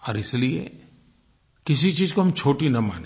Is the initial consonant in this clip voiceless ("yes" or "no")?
no